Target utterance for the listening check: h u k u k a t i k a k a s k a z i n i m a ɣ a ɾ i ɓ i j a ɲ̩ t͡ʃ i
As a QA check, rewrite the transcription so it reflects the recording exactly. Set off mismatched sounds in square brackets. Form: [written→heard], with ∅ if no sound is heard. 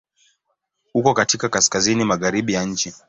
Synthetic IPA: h u k [u→ɔ] k a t i k a k a s k a z i n i m a ɣ a ɾ i ɓ i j a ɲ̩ t͡ʃ i